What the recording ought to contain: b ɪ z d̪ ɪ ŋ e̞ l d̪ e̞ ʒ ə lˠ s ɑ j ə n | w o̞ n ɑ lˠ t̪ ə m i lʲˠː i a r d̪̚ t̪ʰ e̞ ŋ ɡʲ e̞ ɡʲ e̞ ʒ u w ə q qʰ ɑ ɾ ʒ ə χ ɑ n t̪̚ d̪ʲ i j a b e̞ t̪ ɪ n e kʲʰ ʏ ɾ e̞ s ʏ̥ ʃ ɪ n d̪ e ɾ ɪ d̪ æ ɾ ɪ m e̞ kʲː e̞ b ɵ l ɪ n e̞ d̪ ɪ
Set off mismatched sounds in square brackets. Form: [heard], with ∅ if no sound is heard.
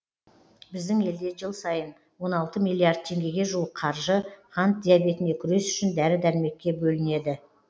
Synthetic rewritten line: b ɪ z d̪ ɪ ŋ e̞ l d̪ e̞ ʒ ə lˠ s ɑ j ə n | w o̞ n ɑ lˠ t̪ ə m i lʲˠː i a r d̪̚ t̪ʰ e̞ ŋ ɡʲ e̞ ɡʲ e̞ ʒ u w ə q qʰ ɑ ɾ ʒ ə χ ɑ n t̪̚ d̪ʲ i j a b e̞ t̪ ɪ n e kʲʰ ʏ ɾ e̞ s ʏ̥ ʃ ɪ n d̪ [æ] ɾ ɪ d̪ æ ɾ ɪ m e̞ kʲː e̞ b ɵ l ɪ n e̞ d̪ ɪ